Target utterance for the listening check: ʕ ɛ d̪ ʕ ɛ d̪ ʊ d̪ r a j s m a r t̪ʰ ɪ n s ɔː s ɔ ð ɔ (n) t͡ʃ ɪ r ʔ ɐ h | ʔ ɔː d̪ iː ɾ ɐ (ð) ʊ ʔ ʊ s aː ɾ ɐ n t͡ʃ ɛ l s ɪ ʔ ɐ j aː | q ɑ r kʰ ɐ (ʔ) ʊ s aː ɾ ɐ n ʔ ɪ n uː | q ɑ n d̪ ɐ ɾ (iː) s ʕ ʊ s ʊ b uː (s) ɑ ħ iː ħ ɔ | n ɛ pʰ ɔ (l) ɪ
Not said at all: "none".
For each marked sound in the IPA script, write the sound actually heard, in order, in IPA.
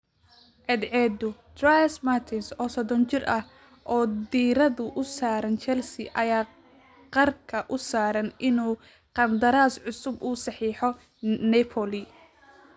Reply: n, ð, ʔ, aː, s, l

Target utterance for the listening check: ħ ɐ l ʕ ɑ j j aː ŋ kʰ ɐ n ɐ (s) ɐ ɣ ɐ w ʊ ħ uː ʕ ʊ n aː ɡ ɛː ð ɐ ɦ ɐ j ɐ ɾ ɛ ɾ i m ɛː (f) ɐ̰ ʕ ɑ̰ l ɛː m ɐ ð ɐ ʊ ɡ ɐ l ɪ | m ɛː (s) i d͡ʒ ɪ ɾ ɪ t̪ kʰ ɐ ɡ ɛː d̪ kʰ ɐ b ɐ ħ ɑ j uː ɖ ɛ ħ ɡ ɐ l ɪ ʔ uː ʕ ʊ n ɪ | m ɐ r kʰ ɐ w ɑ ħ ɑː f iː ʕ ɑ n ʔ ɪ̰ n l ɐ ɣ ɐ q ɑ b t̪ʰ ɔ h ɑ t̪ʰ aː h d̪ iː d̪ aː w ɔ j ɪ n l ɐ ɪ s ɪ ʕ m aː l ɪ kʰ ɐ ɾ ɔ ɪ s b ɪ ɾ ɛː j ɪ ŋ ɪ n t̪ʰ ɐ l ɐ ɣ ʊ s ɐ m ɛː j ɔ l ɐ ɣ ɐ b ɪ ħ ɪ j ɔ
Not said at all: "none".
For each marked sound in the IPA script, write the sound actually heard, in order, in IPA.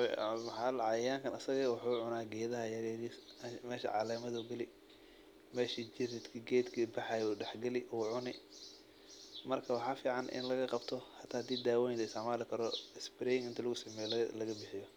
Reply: s, ʃ, ʃ

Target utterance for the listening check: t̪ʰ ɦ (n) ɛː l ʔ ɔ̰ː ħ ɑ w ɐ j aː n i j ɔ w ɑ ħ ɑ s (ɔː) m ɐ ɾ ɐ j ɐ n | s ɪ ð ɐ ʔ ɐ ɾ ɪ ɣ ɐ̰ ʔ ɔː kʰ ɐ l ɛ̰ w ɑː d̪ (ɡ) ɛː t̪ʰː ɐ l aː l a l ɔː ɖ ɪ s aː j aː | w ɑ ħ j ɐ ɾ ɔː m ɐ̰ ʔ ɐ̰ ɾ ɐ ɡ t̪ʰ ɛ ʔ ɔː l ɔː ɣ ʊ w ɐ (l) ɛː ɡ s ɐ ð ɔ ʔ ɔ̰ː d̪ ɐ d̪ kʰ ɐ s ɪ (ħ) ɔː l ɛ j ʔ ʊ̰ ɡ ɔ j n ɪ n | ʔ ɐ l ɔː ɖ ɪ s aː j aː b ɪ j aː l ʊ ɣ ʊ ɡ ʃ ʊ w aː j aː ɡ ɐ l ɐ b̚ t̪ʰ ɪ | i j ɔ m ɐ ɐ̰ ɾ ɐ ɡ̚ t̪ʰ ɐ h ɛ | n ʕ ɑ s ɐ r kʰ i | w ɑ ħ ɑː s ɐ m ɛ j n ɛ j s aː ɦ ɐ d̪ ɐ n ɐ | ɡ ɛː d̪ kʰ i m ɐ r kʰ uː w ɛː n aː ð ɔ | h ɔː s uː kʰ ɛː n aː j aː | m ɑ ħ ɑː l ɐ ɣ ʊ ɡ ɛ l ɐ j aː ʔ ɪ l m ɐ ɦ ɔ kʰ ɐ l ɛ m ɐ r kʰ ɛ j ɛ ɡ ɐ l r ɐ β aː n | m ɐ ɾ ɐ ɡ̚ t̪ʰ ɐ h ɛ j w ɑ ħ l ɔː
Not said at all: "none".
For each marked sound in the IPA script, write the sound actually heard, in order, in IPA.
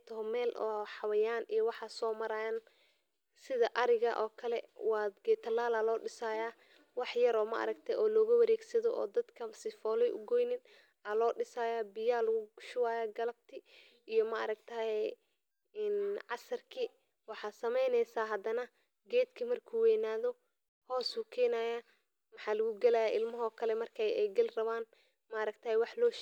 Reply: m, ɔː, ɡ, ɾ, f

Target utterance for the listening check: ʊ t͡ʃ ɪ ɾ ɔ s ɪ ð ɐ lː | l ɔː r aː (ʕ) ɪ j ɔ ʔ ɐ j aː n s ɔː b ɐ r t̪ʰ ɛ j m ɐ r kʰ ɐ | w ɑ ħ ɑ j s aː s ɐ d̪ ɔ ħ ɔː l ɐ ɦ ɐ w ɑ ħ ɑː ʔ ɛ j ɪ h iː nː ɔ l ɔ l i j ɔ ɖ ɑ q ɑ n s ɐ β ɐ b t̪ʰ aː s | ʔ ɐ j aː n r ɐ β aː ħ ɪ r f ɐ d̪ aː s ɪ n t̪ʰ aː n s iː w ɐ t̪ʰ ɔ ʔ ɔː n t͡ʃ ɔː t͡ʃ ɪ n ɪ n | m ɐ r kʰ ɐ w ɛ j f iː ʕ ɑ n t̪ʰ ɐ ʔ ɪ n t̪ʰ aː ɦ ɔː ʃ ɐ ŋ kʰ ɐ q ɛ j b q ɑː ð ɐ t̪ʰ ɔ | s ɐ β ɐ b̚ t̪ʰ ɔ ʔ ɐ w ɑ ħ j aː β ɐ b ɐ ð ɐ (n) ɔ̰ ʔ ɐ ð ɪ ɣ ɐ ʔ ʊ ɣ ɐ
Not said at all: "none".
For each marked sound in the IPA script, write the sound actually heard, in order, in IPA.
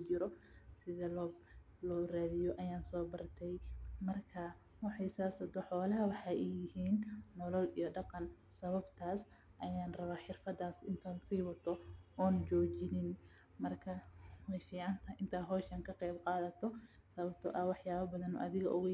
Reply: ð, n

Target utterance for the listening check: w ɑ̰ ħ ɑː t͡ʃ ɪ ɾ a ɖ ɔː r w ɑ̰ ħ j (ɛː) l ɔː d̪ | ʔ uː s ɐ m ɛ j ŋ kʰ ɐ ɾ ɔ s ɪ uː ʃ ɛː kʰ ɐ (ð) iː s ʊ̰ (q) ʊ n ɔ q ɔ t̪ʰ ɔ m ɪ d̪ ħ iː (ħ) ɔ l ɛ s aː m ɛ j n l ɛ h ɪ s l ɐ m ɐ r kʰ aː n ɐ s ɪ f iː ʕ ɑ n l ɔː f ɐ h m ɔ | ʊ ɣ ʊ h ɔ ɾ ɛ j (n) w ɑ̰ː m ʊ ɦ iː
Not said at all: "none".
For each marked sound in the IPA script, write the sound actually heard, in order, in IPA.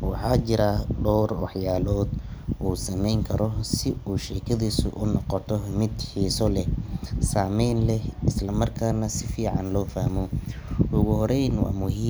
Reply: aː, ð, ʔ, s, n

